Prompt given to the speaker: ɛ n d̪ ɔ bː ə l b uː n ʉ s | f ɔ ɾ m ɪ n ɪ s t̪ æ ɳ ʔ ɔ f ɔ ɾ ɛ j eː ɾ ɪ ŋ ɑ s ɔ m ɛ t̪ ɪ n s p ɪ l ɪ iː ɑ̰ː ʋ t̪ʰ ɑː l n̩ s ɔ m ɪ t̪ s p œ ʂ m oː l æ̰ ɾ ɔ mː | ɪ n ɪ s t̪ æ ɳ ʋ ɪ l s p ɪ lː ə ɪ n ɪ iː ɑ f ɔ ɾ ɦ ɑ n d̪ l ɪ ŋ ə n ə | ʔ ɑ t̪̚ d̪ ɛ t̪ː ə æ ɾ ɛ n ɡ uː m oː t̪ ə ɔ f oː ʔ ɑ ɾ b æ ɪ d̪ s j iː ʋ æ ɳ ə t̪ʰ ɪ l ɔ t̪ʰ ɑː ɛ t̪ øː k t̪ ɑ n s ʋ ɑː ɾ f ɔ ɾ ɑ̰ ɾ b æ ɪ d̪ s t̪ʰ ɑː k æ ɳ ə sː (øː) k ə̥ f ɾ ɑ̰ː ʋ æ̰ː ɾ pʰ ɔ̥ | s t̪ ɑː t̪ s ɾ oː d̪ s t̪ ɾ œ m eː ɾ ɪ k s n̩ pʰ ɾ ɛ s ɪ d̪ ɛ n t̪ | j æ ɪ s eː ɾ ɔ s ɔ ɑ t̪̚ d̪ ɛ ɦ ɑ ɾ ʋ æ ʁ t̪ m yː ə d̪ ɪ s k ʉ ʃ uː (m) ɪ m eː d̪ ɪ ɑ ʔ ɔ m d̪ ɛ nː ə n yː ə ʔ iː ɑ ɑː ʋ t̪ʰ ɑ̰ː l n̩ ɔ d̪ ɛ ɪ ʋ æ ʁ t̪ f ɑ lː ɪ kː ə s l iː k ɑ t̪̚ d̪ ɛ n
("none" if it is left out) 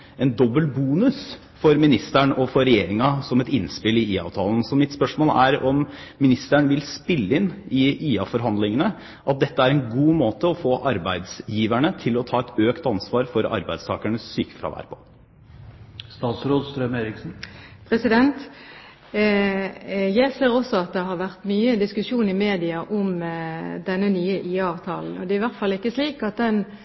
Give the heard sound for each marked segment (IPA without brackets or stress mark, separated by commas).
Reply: yː, n